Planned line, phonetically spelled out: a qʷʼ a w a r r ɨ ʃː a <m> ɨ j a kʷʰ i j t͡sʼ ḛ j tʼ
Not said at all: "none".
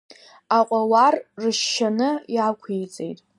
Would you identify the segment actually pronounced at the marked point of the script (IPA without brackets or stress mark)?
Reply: n